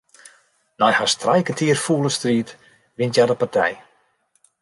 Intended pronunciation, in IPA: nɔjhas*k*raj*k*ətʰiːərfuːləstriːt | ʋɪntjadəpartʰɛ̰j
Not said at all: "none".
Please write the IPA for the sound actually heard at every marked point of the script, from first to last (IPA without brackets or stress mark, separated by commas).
t, k